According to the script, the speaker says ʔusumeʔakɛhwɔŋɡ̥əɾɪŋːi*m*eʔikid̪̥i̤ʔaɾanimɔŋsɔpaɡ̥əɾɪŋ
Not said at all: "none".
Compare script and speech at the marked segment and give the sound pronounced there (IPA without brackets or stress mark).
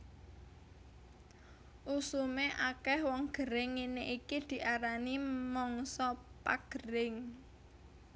n